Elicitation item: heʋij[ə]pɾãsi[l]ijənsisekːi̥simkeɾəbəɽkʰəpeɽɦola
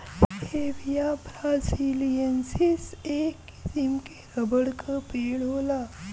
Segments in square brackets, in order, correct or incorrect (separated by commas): incorrect, correct